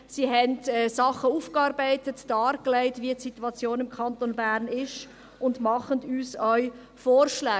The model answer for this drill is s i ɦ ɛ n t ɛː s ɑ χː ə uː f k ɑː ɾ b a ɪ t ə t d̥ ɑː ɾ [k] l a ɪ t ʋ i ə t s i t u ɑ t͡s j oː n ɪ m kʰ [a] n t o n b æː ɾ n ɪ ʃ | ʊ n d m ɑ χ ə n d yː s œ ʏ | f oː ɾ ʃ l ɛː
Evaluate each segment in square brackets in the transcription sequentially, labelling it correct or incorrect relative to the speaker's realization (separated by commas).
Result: correct, incorrect